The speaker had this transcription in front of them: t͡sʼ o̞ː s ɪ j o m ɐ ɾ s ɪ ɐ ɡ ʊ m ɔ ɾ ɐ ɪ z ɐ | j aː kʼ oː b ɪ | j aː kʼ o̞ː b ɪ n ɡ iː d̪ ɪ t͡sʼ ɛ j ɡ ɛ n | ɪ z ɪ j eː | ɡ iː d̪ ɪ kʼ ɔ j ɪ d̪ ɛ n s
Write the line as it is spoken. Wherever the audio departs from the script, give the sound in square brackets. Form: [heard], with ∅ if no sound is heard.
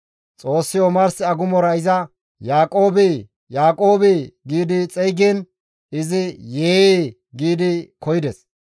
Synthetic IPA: t͡sʼ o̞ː [sː] ɪ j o m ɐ ɾ s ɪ ɐ ɡ ʊ m ɔ ɾ ɐ ɪ z ɐ | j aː kʼ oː b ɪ | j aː kʼ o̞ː b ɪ [∅] ɡ iː d̪ ɪ t͡sʼ ɛ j ɡ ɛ n | ɪ z ɪ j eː | ɡ iː d̪ ɪ [k] ɔ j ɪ d̪ ɛ [∅] s